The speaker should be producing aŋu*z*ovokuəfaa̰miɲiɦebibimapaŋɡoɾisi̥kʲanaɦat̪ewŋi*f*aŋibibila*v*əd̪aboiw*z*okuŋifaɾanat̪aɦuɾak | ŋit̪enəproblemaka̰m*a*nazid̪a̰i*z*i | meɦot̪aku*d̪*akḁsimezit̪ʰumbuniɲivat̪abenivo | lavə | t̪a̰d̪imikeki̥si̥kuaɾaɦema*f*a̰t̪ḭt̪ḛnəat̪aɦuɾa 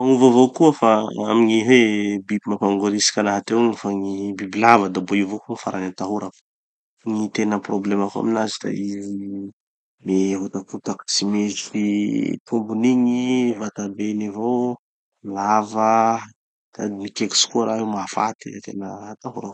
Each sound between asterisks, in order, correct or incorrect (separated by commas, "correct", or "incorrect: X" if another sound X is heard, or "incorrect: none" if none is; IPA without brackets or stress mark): incorrect: v, correct, correct, incorrect: v, incorrect: i, correct, incorrect: t̪, correct